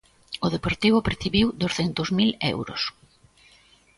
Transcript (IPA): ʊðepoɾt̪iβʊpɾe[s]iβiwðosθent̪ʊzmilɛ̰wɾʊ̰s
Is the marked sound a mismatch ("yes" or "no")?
yes